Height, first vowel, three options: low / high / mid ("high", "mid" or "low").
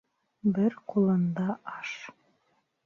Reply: mid